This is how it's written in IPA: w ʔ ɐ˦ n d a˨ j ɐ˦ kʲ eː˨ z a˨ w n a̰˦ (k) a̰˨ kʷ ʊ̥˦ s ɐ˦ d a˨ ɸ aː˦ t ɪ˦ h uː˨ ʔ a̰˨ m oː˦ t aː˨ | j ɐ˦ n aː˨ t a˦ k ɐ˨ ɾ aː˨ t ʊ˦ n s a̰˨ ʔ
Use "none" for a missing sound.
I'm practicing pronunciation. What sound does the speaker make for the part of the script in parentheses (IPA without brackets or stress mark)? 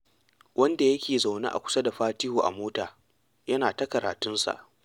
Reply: ʔ